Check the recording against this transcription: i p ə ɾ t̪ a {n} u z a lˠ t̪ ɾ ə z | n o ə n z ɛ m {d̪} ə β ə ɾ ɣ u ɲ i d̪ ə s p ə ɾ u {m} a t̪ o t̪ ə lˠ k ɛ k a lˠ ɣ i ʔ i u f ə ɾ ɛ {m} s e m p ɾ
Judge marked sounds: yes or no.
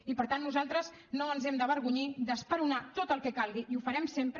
no, yes, no, yes

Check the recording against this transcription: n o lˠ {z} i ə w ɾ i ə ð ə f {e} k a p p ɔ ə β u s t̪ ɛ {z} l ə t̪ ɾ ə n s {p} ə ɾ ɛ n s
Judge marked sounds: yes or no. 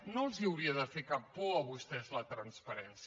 yes, yes, yes, yes

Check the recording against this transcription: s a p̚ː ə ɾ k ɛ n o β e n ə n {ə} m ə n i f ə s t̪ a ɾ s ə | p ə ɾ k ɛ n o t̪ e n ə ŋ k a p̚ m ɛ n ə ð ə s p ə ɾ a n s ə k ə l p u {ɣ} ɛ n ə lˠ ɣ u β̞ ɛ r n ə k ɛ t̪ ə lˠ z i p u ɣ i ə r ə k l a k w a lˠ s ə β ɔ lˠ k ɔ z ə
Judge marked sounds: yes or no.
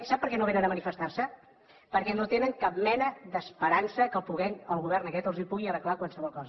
yes, yes

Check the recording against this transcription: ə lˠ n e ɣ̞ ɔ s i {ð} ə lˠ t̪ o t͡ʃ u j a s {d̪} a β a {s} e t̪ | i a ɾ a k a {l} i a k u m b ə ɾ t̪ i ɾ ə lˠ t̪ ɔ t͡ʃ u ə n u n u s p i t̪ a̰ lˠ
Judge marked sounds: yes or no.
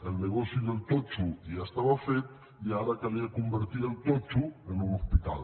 yes, no, no, yes

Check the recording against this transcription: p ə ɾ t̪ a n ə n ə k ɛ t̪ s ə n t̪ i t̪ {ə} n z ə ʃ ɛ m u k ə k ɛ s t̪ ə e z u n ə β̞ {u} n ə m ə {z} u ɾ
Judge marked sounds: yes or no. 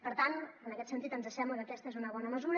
yes, no, yes

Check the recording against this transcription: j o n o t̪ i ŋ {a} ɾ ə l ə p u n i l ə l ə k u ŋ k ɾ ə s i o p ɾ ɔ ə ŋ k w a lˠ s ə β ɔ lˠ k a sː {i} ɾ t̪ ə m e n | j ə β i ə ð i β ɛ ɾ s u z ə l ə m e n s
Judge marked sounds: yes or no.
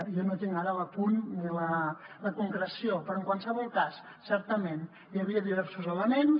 yes, no

